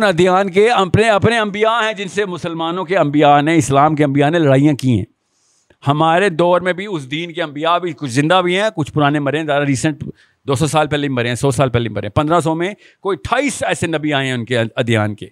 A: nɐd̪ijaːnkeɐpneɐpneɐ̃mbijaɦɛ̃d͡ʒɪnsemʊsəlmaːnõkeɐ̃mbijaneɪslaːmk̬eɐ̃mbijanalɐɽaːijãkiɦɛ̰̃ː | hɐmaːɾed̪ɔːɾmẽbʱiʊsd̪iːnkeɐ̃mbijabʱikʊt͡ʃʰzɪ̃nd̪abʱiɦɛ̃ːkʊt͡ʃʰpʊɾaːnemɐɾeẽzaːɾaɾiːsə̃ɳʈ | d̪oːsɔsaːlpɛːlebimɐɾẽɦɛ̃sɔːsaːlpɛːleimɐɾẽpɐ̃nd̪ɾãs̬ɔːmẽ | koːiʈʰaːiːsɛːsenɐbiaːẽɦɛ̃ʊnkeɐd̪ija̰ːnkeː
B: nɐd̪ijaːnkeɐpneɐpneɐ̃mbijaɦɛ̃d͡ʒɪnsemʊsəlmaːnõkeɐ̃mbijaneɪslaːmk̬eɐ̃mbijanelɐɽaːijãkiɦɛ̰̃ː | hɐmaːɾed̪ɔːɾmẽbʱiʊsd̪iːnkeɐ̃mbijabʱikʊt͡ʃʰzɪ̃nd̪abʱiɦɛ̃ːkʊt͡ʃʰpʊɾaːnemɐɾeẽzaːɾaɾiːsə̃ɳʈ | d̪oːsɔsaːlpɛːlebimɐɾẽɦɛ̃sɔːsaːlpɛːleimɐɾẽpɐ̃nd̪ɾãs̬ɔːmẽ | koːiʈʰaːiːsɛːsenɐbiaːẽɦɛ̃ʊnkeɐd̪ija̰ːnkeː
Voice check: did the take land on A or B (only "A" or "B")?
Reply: B